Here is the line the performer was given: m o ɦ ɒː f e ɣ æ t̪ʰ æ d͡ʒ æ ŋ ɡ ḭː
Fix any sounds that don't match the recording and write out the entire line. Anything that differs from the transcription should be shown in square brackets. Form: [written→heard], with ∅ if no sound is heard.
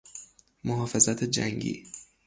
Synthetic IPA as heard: m o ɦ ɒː f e [ɣ→z] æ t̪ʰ [æ→e] d͡ʒ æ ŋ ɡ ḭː